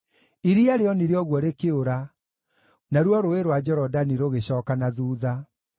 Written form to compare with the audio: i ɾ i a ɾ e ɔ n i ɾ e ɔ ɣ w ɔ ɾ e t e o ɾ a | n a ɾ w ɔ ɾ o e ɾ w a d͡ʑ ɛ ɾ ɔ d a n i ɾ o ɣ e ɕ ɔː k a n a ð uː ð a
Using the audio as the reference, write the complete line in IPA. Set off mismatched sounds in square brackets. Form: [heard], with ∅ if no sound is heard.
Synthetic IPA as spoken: i ɾ i a ɾ e ɔ n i ɾ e ɔ ɣ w ɔ ɾ e [k] e o ɾ a | n a ɾ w ɔ ɾ o e ɾ w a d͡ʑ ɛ ɾ ɔ d a n i ɾ o ɣ e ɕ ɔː k a n a ð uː ð a

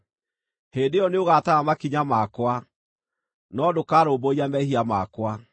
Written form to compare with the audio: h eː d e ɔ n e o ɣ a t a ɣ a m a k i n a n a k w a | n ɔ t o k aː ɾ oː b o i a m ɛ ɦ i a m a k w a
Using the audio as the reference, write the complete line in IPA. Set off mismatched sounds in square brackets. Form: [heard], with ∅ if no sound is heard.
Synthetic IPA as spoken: h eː d e ɔ n e o ɣ a t a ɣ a m a k i [ɲ] a [m] a k w a | n ɔ [d] o k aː ɾ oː b o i a m ɛ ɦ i a m a k w a

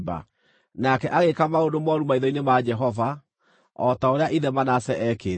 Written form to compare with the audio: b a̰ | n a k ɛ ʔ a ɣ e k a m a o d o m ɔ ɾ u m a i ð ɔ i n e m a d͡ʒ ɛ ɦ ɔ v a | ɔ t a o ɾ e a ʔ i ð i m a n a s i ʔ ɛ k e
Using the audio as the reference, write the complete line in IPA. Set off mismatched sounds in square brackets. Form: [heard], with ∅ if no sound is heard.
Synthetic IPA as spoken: b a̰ | n a k ɛ ʔ a ɣ e k a m a o d o m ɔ ɾ u m a i ð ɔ i n e m a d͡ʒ ɛ ɦ ɔ v a | ɔ t a o ɾ e a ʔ i ð [ɛ] m a n a s [ɛ] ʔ ɛ k e

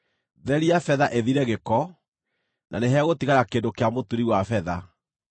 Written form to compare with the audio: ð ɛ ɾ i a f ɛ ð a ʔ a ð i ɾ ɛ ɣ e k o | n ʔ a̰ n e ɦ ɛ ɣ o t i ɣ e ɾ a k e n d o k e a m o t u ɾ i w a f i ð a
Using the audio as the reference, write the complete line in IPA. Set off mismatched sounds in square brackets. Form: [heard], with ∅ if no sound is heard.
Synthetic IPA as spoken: ð ɛ ɾ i a f ɛ ð a ʔ [e] ð i ɾ ɛ ɣ e k [ɔ] | n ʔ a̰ n e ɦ ɛ ɣ o t i ɣ [a] ɾ a k e n d o k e a m o t u ɾ i w a f [ɛ] ð a

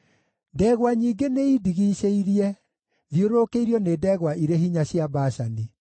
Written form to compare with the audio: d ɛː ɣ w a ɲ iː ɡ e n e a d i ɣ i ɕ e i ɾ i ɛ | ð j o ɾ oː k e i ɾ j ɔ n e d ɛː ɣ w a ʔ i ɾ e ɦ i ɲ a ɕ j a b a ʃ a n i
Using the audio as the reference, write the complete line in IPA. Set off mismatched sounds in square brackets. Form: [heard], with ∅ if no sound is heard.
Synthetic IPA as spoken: d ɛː ɣ w a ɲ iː ɡ e n e [i] d i ɣ i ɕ e i ɾ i ɛ | ð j o ɾ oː k e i ɾ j ɔ n e d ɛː ɣ w a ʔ i ɾ e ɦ i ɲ a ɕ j a b a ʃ a n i

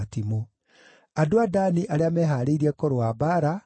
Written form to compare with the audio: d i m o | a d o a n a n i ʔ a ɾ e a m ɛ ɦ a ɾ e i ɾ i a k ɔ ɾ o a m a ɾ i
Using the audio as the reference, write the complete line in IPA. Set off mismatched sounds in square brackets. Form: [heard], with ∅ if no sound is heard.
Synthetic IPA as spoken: [t] i m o | a d o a [d] a n i ʔ a ɾ e a m ɛ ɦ a ɾ e i ɾ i [ɛ] k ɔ ɾ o a [b] a ɾ [a]

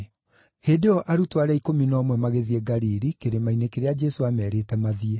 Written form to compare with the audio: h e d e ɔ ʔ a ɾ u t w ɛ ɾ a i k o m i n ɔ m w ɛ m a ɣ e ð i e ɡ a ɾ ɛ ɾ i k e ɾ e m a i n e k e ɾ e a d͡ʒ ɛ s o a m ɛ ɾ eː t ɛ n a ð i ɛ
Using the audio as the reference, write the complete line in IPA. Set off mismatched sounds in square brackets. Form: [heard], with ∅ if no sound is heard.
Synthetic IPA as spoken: h e d e ɔ ʔ a ɾ u t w [a] ɾ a i k o m i n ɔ m w ɛ m a ɣ e ð i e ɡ a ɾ [i] ɾ i k e ɾ e m a i n e k e ɾ e a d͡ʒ ɛ s o a m ɛ ɾ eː t ɛ [m] a ð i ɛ

